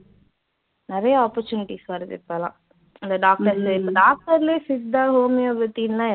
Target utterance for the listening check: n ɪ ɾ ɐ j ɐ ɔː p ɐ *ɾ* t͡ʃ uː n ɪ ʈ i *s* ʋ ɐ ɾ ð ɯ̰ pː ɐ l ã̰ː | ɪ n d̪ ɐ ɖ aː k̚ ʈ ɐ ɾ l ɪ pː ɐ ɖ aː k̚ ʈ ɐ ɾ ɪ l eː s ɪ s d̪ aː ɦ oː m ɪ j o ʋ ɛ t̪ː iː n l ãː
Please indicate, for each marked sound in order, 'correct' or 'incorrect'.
correct, correct

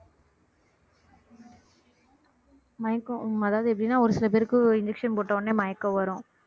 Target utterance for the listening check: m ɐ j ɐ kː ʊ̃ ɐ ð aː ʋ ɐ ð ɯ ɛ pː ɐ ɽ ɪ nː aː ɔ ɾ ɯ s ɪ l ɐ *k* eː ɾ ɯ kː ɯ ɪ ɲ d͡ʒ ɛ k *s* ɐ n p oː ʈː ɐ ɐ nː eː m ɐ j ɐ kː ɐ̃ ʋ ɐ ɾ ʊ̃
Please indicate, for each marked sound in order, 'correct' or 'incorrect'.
incorrect, incorrect

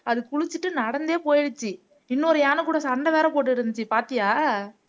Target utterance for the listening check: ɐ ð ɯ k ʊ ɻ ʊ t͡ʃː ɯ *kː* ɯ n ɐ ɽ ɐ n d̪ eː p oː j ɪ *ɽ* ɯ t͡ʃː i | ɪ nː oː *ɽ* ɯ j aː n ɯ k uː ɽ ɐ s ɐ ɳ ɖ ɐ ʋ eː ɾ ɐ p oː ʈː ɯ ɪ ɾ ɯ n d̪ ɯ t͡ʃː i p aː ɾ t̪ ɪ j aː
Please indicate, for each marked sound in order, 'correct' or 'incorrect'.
incorrect, correct, incorrect

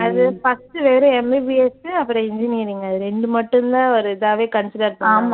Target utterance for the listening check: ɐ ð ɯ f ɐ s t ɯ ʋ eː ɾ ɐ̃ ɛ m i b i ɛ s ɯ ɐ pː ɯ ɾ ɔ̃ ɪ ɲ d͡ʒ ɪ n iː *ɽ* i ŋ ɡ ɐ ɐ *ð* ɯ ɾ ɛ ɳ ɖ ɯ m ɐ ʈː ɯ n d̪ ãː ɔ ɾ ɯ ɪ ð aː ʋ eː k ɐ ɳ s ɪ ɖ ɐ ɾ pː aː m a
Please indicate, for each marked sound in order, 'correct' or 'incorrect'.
incorrect, correct

